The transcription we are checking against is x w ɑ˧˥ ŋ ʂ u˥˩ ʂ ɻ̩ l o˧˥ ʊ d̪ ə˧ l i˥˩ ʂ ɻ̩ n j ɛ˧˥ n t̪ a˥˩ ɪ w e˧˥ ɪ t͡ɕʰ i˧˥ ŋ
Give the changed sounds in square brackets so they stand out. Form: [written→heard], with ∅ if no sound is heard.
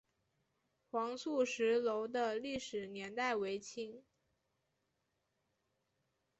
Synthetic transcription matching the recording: x w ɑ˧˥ ŋ [ʂ→s] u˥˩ ʂ ɻ̩ l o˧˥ ʊ d̪ ə˧ l i˥˩ ʂ ɻ̩ n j ɛ˧˥ n t̪ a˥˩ ɪ w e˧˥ ɪ t͡ɕʰ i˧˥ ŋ